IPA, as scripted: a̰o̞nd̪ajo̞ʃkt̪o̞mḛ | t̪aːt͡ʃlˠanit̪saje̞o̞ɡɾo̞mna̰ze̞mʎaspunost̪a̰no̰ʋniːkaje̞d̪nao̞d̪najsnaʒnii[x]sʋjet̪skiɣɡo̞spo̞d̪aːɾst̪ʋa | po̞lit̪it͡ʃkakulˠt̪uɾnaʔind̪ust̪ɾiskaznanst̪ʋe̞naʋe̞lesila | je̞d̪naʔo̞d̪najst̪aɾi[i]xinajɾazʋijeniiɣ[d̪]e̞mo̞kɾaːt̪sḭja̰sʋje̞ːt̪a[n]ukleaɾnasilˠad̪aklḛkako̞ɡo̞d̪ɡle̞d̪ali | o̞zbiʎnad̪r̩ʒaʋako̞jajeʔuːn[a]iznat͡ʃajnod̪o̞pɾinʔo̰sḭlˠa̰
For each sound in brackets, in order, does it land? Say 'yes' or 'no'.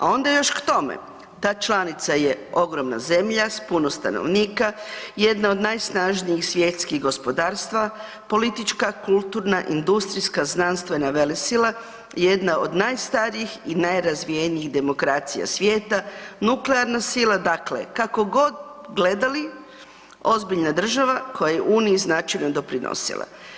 yes, yes, yes, yes, no

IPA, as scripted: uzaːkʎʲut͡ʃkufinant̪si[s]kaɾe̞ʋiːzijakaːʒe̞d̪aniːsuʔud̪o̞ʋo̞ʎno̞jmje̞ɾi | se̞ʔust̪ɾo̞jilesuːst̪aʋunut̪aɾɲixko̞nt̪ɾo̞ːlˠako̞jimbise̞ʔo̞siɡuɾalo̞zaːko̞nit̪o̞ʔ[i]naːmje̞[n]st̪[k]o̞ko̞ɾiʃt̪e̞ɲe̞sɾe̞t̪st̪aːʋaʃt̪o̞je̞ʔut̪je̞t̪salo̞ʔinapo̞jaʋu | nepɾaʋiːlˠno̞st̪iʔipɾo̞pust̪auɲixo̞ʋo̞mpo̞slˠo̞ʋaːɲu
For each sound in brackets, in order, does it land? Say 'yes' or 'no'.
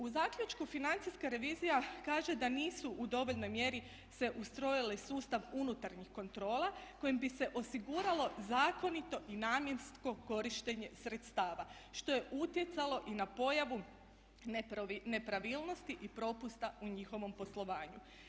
yes, yes, yes, yes

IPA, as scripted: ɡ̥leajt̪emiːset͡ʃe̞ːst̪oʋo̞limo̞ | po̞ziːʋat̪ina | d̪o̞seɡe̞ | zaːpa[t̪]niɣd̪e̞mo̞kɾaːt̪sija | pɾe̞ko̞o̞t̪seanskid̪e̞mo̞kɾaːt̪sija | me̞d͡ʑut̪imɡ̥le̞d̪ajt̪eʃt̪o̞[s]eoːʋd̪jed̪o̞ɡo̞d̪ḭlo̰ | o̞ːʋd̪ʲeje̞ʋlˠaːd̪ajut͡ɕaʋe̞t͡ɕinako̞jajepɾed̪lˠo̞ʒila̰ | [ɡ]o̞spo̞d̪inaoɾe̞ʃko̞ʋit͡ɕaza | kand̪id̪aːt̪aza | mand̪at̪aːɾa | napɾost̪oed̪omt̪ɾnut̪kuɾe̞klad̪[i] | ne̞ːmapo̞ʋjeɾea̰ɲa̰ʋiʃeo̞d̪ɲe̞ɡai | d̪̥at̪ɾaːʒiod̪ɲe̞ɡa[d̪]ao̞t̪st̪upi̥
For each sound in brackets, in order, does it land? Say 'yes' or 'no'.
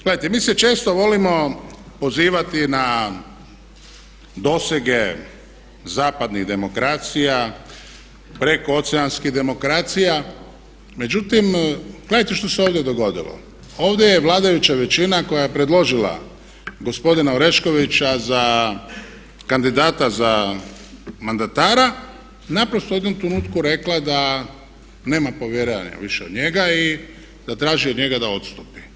no, yes, yes, no, yes

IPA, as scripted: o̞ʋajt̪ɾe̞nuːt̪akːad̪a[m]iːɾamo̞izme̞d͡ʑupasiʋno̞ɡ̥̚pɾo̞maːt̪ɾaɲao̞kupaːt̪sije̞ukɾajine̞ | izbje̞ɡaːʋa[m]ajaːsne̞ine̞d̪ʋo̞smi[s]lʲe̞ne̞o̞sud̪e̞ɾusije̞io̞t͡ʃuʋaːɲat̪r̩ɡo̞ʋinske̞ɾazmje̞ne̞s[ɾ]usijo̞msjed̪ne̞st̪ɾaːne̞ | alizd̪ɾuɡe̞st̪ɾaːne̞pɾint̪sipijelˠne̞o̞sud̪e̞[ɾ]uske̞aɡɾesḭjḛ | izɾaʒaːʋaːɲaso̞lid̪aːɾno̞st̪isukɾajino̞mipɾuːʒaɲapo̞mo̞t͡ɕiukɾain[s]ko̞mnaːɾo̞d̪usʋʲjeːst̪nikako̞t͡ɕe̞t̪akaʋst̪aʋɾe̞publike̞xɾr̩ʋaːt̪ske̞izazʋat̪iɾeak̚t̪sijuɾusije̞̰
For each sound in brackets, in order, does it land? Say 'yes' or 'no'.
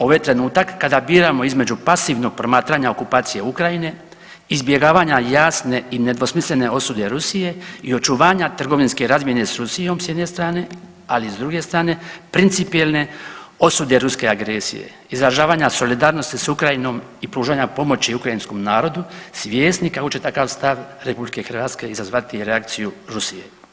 no, no, yes, yes, yes, yes

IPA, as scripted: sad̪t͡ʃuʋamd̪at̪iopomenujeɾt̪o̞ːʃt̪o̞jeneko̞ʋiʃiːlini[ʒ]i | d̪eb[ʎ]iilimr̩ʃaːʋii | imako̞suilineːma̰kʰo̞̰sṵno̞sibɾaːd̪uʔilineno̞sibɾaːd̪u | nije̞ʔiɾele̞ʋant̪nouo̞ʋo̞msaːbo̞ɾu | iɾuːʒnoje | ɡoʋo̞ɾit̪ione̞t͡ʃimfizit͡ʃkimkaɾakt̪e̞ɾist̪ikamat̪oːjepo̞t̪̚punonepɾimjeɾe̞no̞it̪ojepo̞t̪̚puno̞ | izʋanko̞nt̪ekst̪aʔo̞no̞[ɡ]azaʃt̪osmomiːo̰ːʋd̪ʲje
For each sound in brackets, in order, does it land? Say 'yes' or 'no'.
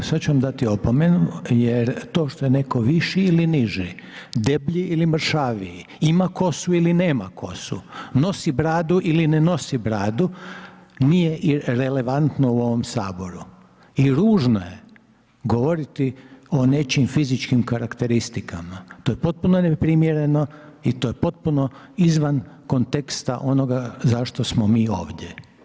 yes, yes, yes

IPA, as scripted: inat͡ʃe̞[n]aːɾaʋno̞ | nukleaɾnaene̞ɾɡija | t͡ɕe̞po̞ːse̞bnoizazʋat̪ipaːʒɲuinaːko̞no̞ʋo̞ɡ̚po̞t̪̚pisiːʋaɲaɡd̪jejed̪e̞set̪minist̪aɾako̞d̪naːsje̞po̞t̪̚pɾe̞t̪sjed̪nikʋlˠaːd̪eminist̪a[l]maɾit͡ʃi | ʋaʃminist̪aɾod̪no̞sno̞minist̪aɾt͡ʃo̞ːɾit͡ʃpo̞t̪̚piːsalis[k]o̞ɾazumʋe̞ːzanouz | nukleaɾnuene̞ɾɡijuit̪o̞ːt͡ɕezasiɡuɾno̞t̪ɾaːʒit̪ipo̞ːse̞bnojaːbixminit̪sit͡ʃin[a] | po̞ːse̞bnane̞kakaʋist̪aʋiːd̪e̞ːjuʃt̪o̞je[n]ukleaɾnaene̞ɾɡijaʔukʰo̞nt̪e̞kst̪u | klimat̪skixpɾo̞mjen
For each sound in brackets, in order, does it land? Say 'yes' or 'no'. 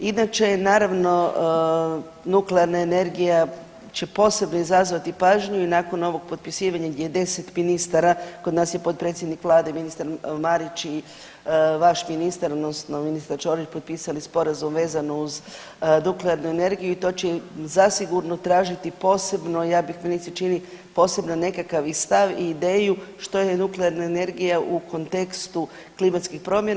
yes, no, no, no, yes

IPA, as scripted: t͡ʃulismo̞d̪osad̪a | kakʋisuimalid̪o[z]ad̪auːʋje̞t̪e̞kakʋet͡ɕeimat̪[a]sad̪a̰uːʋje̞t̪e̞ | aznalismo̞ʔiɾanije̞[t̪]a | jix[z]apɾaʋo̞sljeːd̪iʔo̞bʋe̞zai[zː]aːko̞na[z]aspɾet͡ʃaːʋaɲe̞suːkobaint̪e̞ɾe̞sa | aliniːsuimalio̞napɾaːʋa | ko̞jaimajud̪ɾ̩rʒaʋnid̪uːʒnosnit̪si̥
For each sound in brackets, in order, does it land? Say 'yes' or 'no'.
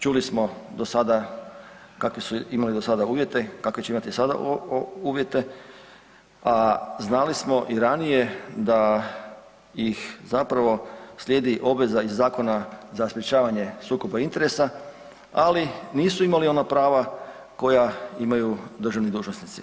no, no, no, yes, yes, yes

